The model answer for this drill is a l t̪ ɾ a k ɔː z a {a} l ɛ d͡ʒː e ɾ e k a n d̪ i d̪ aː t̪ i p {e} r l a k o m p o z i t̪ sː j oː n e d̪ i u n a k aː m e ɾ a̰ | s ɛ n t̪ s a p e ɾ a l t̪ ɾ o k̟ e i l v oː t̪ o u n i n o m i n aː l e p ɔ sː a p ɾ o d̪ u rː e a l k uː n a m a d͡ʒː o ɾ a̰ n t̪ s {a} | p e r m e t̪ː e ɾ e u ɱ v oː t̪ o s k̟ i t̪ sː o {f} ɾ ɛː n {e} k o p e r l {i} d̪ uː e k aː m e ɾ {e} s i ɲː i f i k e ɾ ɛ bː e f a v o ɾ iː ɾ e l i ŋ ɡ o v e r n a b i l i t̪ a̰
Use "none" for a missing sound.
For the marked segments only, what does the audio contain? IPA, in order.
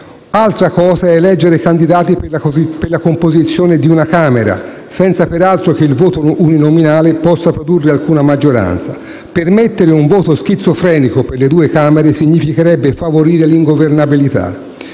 ɛ, e, a, f, i, e, e

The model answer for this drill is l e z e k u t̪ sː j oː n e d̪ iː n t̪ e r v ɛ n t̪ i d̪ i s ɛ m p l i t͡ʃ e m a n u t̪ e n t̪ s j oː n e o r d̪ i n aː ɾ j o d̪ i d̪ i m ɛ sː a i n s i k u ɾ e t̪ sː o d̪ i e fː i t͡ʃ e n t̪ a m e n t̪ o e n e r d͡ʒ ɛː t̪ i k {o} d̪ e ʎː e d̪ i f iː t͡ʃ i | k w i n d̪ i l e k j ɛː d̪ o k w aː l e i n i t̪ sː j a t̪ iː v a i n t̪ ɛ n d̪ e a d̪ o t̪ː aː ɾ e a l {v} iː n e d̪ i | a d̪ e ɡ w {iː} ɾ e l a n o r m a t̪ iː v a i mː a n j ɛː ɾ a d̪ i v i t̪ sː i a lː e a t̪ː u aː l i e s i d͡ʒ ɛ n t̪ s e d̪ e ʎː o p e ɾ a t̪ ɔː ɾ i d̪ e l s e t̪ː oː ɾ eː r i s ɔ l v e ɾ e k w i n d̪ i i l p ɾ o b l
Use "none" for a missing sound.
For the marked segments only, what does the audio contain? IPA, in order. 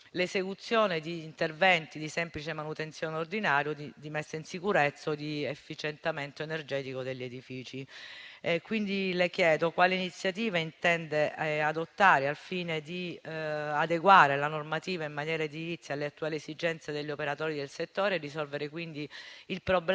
o, f, aː

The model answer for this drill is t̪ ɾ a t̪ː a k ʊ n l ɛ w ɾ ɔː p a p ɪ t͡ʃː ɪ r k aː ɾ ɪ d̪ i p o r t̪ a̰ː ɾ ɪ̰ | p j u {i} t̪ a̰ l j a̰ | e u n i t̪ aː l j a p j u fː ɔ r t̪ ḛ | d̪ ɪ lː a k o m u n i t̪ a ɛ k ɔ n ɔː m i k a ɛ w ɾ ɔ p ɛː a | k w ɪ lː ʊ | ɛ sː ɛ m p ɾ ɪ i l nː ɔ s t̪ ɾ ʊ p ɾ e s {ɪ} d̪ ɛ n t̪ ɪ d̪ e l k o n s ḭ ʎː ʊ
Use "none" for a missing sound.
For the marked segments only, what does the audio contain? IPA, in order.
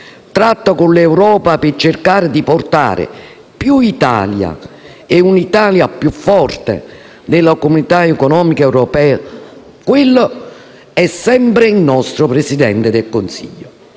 i, i

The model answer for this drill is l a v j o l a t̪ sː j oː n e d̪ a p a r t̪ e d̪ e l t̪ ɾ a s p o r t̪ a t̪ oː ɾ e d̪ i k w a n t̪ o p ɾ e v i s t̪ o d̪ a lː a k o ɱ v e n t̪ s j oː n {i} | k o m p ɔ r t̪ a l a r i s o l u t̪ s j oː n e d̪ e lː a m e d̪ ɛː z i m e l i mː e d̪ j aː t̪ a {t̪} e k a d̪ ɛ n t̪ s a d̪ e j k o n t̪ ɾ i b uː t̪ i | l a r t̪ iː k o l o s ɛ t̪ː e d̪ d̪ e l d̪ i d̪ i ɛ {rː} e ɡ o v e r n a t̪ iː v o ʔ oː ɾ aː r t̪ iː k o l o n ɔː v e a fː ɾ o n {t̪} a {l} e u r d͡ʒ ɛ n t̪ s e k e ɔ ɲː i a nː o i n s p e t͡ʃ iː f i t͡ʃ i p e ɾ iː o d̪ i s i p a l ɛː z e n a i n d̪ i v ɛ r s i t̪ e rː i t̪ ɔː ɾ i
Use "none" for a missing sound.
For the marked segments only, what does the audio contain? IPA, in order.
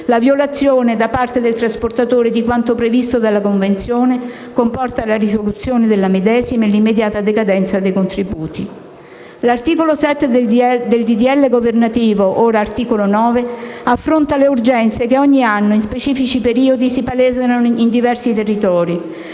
e, d̪, lː, t̪, l

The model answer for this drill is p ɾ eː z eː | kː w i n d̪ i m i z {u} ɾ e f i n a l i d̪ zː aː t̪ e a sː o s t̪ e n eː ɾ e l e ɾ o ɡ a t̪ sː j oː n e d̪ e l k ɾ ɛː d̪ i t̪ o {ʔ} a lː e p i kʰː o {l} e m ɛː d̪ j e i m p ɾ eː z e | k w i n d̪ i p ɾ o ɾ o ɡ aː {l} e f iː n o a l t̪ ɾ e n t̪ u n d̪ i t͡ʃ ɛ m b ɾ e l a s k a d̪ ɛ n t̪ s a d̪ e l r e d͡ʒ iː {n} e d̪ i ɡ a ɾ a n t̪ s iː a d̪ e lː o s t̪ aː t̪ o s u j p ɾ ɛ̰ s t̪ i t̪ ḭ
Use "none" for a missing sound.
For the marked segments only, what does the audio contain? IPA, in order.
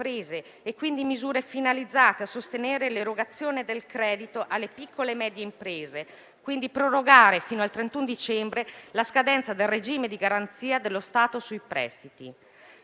uː, ʔ, l, ɾ, m

